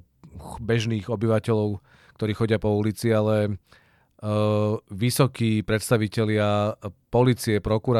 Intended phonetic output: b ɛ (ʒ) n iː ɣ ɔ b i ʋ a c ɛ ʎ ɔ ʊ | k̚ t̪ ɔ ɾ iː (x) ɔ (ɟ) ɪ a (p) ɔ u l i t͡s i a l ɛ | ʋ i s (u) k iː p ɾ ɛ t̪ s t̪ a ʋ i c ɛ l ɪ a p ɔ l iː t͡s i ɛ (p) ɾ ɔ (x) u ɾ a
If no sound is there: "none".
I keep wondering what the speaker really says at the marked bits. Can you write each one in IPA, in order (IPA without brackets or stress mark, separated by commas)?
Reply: ʒ, x, ɟ, p, ɔ, p, k